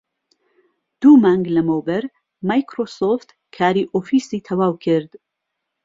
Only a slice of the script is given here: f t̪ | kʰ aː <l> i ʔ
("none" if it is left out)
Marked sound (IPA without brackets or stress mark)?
ɾ